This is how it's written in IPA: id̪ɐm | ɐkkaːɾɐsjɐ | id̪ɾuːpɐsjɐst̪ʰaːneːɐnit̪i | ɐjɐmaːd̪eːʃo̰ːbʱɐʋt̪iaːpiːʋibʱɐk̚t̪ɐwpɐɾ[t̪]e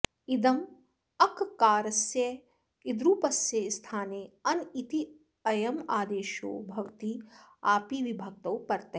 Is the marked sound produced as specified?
yes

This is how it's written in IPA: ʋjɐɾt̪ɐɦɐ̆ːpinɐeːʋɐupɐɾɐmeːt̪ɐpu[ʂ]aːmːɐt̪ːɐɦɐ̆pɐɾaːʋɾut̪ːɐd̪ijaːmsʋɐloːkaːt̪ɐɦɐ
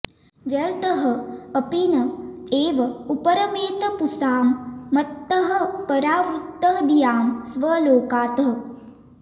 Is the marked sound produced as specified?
no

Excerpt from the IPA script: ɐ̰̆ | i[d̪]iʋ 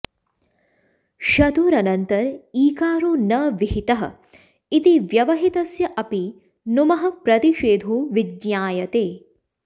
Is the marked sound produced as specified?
no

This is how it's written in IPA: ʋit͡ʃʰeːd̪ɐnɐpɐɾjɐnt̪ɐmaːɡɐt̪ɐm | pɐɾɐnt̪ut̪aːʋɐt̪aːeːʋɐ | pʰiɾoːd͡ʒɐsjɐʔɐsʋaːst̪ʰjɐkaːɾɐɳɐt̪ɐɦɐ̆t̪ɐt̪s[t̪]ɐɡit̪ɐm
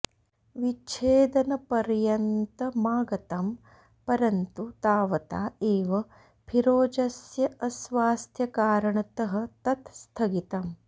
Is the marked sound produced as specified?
no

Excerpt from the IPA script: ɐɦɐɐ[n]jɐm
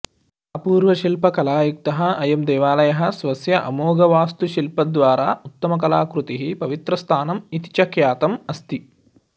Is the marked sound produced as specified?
no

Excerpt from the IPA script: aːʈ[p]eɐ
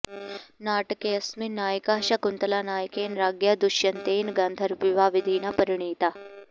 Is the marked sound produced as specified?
no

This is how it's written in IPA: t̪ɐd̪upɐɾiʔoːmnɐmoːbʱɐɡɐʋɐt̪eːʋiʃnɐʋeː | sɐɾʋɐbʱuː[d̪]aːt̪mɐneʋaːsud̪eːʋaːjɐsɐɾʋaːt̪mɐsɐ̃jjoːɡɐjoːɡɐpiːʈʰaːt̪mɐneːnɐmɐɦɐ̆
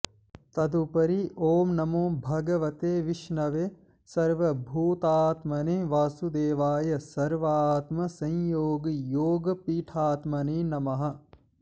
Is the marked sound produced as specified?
no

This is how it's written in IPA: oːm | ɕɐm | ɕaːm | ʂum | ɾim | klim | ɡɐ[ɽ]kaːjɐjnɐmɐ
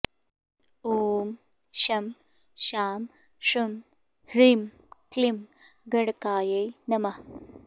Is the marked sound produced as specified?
yes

